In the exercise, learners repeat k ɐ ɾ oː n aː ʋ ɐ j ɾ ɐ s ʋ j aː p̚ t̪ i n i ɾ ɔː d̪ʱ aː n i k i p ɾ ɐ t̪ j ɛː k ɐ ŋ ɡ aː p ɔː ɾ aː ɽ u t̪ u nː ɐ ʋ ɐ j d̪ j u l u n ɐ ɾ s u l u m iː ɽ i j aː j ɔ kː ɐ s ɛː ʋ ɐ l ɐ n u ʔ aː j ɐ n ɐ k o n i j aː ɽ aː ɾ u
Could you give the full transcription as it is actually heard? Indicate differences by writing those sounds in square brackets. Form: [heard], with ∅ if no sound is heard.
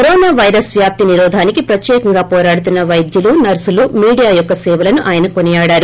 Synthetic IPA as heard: k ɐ ɾ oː n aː ʋ ɐ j ɾ ɐ s ʋ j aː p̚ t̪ i n i ɾ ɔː d̪ʱ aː n i k i p ɾ ɐ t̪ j ɛː k ɐ ŋ ɡ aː p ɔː ɾ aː ɽ u t̪ u nː ɐ ʋ ɐ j d̪ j u l u n ɐ ɾ s u l u m iː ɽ i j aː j ɔ kː ɐ s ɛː ʋ ɐ l ɐ n u ʔ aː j ɐ n ɐ k o n i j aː ɽ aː ɾ u